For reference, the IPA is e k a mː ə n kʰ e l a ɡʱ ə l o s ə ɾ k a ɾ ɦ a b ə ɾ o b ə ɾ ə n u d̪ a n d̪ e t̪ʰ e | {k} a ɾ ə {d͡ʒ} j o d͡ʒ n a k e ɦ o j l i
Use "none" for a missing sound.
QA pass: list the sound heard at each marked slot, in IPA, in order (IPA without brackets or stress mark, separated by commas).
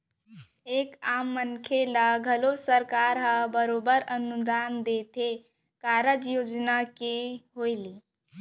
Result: k, d͡ʒ